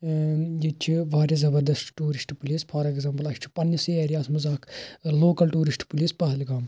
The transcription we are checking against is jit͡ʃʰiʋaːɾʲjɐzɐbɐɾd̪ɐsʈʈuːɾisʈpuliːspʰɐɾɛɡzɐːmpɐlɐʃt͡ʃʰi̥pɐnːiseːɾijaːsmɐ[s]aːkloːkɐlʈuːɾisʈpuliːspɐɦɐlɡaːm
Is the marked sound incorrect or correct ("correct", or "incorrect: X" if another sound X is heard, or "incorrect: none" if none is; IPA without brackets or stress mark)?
incorrect: z